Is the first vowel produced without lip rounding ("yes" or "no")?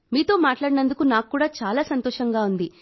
yes